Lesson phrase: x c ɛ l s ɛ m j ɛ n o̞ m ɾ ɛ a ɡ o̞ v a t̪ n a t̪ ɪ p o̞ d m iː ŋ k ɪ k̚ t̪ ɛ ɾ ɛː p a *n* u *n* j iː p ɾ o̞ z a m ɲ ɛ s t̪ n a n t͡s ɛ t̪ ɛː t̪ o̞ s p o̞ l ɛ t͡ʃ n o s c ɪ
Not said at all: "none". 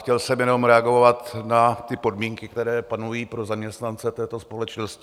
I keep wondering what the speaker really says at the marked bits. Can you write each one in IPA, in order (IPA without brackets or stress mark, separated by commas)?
n, none